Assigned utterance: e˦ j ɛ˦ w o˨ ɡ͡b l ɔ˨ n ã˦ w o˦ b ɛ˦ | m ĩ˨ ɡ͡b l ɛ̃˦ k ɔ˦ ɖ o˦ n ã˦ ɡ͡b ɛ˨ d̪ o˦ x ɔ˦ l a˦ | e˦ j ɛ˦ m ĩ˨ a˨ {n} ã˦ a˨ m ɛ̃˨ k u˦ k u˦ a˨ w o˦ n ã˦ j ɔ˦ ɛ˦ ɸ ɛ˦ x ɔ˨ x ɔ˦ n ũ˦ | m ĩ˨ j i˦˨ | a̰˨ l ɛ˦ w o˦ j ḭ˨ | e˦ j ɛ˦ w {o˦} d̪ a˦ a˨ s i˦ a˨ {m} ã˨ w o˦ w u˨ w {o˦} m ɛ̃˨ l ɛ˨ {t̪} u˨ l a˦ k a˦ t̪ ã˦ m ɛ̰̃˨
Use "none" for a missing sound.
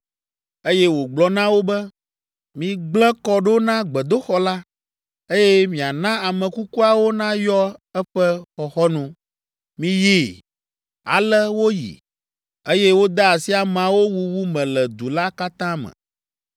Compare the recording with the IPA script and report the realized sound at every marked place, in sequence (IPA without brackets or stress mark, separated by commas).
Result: n, o˦, m, u˦, d̪